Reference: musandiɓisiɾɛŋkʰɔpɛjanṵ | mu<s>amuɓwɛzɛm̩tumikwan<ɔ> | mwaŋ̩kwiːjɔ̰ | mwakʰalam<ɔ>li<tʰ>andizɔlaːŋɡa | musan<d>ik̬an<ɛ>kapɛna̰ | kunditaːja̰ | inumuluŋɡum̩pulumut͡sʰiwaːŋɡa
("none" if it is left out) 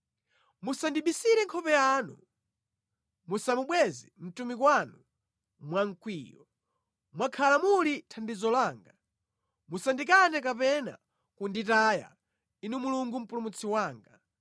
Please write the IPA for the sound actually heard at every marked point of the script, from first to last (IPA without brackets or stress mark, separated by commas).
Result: s, u, u, tʰ, d, ɛ